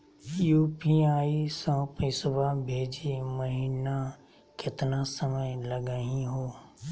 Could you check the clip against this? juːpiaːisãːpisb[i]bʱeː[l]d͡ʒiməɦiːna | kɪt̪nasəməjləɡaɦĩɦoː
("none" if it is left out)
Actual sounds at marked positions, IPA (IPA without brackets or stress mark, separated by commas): a, none